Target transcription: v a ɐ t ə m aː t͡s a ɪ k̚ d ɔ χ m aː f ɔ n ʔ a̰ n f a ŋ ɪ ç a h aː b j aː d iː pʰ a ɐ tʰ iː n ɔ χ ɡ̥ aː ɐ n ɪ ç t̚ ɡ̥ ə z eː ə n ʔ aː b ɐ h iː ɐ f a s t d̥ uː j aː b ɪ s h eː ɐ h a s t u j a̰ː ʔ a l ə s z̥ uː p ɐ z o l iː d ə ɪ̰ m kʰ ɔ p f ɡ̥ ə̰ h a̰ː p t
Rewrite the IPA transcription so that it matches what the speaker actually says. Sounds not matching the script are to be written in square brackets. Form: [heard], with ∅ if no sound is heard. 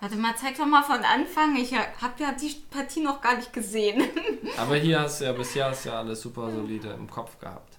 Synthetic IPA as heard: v a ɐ t ə m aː t͡s a ɪ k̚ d ɔ χ m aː f ɔ n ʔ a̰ n f a ŋ ɪ ç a h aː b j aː d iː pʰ a ɐ tʰ iː n ɔ χ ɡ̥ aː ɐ n ɪ ç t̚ ɡ̥ ə z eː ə n ʔ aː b ɐ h iː ɐ [h] a s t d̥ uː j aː b ɪ s h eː ɐ h a s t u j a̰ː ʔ a l ə s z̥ uː p ɐ z o l iː d ə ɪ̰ m kʰ ɔ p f ɡ̥ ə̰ h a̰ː p t